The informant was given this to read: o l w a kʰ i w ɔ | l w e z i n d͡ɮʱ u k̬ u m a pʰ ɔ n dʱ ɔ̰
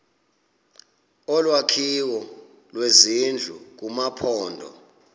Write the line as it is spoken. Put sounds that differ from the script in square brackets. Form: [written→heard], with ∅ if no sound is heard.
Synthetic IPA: [o→ɔ] l w a kʰ i w ɔ | l w e z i n d͡ɮʱ u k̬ u m a pʰ [ɔ→ɔː] n dʱ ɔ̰